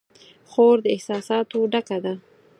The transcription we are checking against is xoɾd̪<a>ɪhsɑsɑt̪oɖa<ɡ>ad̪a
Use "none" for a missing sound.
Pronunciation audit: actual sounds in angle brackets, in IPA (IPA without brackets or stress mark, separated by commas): ə, k